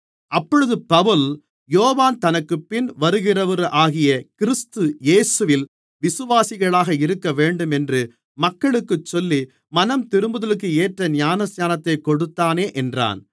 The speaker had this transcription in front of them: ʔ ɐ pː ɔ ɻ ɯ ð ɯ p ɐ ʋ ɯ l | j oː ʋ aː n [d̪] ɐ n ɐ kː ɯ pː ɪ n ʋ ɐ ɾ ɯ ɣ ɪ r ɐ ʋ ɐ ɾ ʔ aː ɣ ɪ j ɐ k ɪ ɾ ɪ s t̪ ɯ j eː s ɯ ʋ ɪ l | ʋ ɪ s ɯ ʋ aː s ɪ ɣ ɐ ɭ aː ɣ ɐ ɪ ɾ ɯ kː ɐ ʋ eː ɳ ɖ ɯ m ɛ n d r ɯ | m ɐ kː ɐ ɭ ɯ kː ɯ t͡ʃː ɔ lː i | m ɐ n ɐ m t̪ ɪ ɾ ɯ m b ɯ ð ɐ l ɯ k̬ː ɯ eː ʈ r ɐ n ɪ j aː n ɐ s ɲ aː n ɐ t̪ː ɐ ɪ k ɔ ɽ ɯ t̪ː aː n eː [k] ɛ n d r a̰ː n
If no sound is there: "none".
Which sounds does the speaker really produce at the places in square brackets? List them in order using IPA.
t̪, ʔ

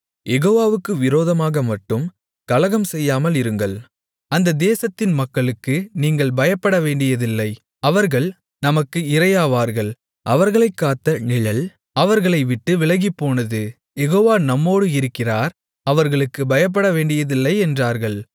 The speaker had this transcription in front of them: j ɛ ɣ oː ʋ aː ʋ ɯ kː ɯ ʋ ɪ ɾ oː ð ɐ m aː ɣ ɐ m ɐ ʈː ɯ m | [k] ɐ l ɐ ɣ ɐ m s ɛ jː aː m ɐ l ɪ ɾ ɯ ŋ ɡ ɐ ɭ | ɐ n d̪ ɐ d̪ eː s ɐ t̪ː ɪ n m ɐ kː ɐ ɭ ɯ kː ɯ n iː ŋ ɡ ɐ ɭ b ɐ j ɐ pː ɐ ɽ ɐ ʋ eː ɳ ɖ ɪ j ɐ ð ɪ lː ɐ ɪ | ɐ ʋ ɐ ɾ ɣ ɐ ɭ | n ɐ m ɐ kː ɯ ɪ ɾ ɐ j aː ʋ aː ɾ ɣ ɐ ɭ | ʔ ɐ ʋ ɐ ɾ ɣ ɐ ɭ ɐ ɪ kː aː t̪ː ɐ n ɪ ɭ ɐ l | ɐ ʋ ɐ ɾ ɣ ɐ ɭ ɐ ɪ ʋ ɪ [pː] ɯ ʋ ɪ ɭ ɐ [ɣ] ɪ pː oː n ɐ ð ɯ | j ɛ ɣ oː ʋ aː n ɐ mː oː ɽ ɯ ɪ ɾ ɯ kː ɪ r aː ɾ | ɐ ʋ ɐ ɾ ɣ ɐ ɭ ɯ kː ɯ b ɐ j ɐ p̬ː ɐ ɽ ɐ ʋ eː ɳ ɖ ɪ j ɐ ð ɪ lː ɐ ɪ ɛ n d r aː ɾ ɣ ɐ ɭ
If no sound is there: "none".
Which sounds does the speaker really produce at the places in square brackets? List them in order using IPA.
k, ʈː, ɣ

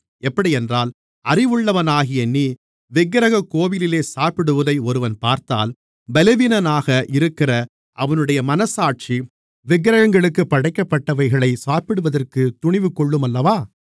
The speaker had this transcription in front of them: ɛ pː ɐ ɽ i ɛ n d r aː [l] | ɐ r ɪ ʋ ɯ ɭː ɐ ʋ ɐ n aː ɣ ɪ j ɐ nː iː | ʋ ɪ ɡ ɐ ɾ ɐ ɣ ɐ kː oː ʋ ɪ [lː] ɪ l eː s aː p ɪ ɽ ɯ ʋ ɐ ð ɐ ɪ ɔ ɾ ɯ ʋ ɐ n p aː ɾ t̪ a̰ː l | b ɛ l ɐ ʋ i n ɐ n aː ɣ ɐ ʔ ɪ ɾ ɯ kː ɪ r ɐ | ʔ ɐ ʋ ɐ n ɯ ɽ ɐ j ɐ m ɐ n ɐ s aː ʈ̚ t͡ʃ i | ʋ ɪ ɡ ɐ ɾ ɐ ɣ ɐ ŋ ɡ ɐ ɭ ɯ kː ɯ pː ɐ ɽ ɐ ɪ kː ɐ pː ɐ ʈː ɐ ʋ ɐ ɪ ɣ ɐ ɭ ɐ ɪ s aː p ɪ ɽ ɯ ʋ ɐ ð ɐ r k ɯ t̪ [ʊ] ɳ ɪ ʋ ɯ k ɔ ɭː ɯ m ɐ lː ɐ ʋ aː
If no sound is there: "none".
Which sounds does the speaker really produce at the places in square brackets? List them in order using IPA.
l, l, ʊ

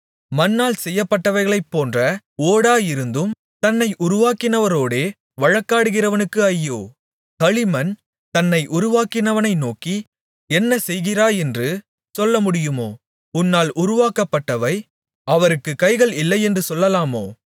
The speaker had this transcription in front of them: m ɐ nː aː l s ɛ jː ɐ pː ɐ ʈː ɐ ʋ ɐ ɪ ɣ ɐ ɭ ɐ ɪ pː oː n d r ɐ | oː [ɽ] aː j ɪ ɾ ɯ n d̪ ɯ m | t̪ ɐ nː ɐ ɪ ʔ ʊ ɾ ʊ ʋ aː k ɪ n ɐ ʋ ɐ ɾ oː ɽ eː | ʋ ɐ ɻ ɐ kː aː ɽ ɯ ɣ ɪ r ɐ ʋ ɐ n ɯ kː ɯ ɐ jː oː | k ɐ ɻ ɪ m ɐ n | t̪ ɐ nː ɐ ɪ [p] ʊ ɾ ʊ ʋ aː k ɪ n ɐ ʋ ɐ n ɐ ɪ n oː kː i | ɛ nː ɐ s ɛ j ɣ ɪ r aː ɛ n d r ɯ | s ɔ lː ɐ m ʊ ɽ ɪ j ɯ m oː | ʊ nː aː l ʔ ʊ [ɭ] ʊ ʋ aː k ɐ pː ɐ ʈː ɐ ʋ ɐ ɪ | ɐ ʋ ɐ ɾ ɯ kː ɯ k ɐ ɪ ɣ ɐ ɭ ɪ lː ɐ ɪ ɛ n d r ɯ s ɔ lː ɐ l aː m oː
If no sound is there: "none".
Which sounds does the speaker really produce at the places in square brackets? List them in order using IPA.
ɽ, ʔ, ɾ

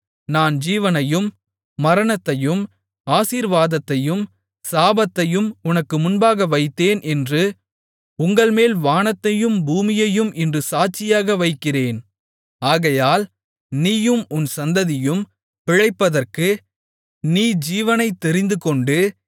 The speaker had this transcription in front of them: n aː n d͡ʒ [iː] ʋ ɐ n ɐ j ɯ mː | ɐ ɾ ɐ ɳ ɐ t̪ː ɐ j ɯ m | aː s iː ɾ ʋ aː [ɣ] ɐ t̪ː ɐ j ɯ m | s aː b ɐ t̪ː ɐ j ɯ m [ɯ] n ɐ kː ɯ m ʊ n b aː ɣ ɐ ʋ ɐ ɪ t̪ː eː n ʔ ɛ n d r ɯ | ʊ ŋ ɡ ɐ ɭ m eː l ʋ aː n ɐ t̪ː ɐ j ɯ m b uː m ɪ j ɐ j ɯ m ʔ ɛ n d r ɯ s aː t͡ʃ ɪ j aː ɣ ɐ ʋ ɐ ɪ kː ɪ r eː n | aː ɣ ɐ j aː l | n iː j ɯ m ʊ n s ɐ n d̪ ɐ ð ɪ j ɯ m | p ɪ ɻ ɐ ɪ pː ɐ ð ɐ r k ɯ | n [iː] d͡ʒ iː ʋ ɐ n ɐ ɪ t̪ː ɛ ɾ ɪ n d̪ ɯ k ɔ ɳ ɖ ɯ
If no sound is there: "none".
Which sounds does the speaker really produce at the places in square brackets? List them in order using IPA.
iː, ð, ʊ, iː

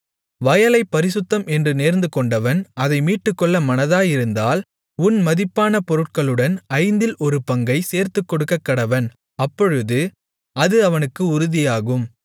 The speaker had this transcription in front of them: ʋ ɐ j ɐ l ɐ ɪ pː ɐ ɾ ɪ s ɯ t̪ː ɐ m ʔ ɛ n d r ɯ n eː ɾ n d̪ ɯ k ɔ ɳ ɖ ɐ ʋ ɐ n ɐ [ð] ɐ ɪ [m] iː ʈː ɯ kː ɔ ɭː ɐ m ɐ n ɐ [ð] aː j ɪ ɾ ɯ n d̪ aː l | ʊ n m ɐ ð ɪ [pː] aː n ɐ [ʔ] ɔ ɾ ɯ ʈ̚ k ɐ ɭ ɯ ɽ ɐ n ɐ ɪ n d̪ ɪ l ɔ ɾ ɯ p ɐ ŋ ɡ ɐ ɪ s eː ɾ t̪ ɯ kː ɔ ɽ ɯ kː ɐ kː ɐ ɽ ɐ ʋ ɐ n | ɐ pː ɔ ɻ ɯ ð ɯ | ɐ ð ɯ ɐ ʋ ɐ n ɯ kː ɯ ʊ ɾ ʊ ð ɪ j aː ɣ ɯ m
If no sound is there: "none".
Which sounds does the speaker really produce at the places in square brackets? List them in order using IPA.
ð, m, ð, pː, p

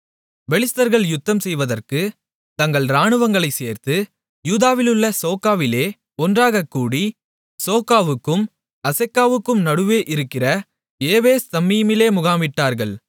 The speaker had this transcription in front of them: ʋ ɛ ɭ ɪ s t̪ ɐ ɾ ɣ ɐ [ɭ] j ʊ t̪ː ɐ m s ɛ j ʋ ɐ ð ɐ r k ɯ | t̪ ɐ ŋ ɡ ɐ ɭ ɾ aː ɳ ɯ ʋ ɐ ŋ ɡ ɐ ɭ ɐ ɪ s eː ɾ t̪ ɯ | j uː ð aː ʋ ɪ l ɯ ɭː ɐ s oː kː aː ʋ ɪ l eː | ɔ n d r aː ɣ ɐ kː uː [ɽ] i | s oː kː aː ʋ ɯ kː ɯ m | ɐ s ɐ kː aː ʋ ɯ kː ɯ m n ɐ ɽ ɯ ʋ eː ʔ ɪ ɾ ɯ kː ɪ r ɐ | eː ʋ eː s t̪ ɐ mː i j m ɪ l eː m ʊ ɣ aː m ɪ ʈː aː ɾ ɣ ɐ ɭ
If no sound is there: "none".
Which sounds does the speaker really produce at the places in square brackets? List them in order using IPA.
ɭ, ɽ

